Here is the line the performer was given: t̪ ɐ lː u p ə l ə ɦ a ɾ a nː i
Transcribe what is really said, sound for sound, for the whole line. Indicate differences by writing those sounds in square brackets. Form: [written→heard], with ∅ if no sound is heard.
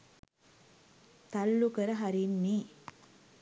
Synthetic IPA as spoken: t̪ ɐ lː u [p→k] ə [l→ɾ] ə ɦ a ɾ [a→i] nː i